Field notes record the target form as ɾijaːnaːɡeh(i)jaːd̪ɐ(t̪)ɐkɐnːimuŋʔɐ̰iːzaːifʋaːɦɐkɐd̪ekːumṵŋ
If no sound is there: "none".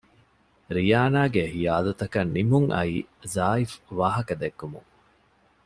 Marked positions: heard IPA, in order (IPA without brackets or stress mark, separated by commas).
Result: i, t̪